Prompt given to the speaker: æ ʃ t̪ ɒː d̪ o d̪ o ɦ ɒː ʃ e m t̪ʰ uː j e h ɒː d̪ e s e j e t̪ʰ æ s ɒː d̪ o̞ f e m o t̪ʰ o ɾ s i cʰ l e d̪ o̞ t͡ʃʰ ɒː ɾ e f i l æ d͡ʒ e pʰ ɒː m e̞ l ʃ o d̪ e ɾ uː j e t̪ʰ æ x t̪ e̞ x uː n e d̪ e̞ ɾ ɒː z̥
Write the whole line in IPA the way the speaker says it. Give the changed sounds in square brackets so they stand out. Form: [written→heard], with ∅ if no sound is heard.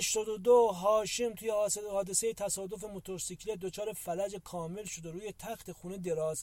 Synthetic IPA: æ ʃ t̪ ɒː d̪ o d̪ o ɦ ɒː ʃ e m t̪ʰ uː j e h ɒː d̪ e s e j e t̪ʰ æ s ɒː d̪ o̞ f e m o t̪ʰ o ɾ s i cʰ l e d̪ o̞ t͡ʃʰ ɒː ɾ e f [i→æ] l æ d͡ʒ e [pʰ→kʰ] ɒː m e̞ l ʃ o d̪ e ɾ uː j e t̪ʰ æ x t̪ e̞ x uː n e d̪ e̞ ɾ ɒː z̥